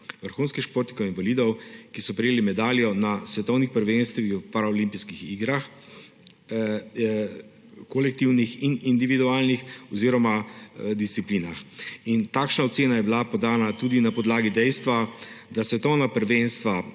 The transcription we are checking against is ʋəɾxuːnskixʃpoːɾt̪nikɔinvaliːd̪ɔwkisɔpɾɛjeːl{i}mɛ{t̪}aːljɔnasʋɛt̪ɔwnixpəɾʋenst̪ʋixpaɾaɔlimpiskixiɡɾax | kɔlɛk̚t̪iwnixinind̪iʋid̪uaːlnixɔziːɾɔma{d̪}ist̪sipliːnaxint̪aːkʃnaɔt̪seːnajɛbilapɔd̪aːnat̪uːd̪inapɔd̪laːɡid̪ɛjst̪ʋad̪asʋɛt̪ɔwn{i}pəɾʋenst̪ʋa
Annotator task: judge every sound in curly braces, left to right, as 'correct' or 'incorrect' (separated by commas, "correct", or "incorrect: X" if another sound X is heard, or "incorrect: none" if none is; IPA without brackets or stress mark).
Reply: correct, incorrect: d̪, correct, incorrect: a